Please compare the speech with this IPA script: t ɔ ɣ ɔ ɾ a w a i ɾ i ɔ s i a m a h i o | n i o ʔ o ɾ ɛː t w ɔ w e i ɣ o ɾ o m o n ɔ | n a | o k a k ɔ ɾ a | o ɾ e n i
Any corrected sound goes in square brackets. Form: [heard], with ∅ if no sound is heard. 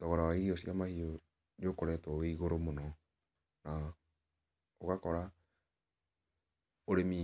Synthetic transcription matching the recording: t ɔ ɣ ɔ ɾ a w a i ɾ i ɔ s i a m a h i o | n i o [k] o ɾ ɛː t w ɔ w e i ɣ o ɾ o m o n ɔ | n a | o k a k ɔ ɾ a | o ɾ e [m] i